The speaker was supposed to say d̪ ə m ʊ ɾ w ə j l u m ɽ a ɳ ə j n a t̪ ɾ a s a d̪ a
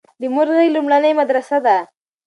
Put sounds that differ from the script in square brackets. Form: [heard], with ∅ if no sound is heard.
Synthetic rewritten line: d̪ ə m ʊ ɾ [ɣ] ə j l u m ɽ a [n] ə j [m] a [d̪] ɾ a s a d̪ a